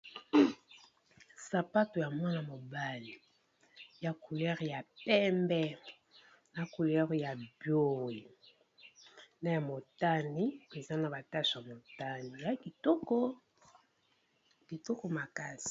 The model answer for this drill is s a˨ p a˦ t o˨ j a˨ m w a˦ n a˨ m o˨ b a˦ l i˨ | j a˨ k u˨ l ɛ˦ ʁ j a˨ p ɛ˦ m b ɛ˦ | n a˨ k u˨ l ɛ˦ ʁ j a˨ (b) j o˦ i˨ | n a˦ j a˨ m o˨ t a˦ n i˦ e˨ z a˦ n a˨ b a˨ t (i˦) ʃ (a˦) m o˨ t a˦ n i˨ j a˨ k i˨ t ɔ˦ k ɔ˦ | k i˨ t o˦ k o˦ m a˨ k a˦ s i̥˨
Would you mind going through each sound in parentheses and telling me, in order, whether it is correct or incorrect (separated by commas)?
correct, incorrect, incorrect